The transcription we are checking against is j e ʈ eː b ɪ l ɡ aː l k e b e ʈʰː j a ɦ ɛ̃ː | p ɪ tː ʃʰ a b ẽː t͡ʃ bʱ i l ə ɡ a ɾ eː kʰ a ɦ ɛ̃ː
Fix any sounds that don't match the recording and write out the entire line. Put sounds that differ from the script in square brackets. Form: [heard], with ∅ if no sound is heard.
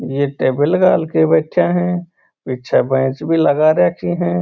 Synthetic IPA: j e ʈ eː b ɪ l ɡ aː l k e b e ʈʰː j a ɦ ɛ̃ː | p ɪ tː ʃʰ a b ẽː t͡ʃ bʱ i l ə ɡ a ɾ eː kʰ [i] ɦ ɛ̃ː